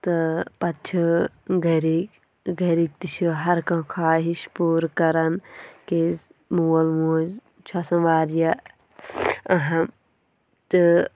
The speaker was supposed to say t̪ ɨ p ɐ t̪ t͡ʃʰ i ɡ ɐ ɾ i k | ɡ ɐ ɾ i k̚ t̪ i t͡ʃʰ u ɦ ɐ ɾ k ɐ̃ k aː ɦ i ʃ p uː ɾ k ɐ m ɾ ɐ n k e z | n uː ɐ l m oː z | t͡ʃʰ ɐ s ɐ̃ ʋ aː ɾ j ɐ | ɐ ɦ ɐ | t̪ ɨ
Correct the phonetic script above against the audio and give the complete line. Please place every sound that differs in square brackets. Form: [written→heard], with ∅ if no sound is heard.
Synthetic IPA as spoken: t̪ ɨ p ɐ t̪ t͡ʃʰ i ɡ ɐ ɾ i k | ɡ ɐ ɾ i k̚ t̪ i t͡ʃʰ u ɦ ɐ ɾ k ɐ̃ [k→kʰ] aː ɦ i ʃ p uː ɾ k ɐ [m→∅] ɾ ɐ n k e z | [n→m] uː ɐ l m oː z | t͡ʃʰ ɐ s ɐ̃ ʋ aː ɾ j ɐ | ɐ ɦ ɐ | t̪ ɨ